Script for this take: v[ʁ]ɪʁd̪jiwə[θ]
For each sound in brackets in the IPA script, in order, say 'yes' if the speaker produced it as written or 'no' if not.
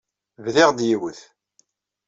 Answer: no, yes

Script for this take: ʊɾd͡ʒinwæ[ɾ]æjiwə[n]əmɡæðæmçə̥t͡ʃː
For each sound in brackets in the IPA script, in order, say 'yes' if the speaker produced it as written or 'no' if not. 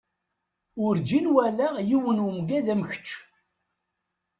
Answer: no, yes

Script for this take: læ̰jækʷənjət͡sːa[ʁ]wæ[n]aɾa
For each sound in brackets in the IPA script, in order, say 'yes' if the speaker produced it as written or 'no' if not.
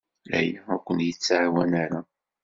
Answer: no, yes

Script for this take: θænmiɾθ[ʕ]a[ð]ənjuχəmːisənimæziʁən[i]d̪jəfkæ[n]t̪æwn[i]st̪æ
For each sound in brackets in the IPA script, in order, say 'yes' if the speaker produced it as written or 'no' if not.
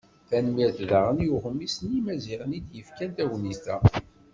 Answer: no, no, yes, yes, yes

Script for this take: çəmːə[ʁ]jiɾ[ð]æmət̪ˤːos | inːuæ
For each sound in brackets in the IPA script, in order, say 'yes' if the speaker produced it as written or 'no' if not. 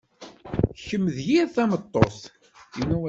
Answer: no, no

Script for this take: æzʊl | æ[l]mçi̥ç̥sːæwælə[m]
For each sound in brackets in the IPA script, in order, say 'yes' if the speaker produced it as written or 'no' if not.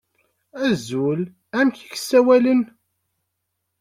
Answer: no, no

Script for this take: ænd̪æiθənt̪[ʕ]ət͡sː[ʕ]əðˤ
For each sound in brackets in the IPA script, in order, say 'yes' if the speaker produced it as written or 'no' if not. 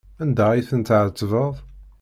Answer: yes, no

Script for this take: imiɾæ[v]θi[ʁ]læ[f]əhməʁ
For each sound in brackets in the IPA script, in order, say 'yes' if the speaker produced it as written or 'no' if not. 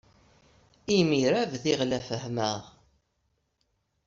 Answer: yes, yes, yes

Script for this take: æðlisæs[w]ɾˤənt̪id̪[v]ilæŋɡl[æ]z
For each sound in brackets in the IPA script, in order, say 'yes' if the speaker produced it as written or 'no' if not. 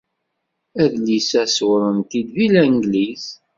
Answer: yes, yes, no

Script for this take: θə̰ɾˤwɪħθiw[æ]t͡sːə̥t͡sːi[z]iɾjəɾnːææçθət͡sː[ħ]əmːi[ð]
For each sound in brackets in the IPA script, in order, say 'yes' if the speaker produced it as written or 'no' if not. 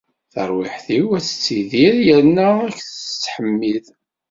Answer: yes, no, yes, yes

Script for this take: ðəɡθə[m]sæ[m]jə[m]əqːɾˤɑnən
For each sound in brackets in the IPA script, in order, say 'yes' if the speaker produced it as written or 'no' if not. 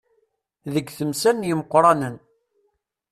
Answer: yes, no, yes

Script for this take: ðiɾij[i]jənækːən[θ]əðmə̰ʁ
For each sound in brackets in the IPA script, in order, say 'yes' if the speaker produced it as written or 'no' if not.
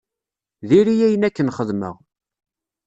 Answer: no, no

